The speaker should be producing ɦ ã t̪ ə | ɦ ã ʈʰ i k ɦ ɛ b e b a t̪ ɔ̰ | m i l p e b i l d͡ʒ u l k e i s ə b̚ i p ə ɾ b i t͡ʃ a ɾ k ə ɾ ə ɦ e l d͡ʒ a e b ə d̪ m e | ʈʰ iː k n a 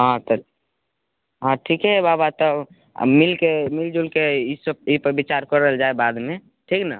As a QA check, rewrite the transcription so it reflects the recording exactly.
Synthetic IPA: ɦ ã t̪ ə | ɦ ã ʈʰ i k ɦ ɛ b a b a t̪ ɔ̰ | m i l k e m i l d͡ʒ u l k e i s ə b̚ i p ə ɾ b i t͡ʃ a ɾ k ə ɾ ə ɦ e l d͡ʒ a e b a d̪ m e | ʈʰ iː k n a